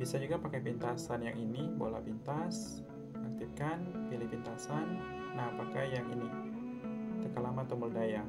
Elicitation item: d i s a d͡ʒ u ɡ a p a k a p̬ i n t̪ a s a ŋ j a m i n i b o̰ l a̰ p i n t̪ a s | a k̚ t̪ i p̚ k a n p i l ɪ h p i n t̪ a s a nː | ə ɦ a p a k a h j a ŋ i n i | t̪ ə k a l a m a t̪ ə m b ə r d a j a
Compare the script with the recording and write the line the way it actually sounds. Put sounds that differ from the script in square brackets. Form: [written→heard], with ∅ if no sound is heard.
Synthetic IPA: [d→b] i s a d͡ʒ u ɡ a p a k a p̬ i n t̪ a s a [ŋ→n] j a [m→ŋ] i n i b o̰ l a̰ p i n t̪ a s | a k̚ t̪ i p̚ k a n p i l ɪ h p i n t̪ a s a nː | [ə→a] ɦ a p a k a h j a ŋ i n i | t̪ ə k a l a m a t̪ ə m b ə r d a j a